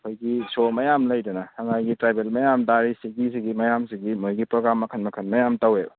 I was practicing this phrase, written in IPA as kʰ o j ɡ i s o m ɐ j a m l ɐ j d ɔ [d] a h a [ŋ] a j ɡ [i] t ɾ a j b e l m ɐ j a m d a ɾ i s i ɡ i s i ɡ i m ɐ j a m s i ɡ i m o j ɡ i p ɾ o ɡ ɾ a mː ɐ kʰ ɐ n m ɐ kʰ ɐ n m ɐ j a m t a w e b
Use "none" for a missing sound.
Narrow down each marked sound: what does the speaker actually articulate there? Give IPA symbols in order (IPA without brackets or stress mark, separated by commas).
n, ŋ, i